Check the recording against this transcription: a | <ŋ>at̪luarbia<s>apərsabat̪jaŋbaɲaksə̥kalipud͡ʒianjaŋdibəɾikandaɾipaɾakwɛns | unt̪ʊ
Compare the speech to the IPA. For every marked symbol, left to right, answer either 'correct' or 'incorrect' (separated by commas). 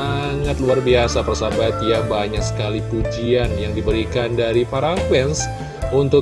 correct, correct